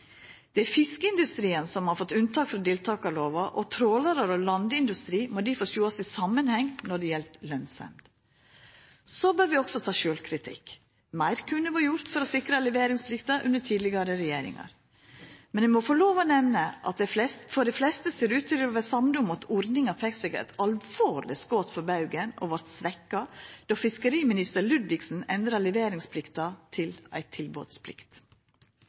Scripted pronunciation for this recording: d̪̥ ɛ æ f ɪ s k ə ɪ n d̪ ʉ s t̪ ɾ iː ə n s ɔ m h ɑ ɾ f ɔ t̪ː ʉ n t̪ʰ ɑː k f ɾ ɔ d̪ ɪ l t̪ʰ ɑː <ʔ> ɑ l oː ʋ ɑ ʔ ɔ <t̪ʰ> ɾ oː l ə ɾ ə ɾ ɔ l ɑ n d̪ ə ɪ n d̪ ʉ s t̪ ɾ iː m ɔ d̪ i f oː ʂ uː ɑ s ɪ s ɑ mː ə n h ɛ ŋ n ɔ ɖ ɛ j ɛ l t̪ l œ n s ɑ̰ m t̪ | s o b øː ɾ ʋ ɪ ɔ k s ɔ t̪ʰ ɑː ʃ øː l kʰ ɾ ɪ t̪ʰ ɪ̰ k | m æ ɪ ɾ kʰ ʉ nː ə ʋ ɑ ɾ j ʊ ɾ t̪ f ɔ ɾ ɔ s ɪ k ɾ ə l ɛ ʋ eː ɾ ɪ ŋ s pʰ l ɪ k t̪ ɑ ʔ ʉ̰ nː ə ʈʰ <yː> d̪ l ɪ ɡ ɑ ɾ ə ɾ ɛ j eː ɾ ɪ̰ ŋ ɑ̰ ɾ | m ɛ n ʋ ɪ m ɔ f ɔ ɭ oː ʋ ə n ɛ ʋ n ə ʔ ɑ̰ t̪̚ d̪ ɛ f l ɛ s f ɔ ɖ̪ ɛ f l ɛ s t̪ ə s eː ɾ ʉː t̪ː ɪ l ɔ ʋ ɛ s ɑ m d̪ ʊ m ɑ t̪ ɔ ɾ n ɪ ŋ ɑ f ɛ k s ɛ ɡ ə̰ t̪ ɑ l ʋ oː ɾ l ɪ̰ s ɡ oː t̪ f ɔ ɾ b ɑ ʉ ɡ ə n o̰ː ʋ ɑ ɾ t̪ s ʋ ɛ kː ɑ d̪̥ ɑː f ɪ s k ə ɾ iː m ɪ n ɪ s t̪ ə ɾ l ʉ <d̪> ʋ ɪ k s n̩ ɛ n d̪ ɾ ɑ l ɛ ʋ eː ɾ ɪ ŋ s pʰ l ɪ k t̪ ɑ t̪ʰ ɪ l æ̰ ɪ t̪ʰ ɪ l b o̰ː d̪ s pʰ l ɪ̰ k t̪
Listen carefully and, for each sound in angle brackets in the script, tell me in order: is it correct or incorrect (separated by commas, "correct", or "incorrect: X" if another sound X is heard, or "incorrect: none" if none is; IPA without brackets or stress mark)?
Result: incorrect: k, correct, incorrect: iː, correct